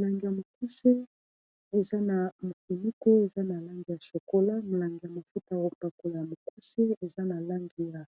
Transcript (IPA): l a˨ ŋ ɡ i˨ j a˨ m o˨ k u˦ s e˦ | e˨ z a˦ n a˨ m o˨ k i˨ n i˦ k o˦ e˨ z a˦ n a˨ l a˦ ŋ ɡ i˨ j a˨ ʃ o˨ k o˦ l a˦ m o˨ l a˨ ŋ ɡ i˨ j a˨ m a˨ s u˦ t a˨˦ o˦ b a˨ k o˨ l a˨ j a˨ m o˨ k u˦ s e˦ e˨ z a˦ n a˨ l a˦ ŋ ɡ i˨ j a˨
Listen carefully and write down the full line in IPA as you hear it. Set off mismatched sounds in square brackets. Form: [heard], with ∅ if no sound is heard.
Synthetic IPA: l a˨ ŋ ɡ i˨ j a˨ m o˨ k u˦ s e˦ | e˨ z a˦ n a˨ m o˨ k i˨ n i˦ k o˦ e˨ z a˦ n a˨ l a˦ ŋ ɡ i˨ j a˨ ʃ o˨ k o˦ l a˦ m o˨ l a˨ ŋ ɡ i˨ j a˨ m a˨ [f] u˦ t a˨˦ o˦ [p] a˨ k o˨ l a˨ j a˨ m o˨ k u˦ s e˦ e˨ z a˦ n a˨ l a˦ ŋ ɡ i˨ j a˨